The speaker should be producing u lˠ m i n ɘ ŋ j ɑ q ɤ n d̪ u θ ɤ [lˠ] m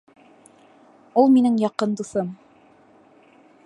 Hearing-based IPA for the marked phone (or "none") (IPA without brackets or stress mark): none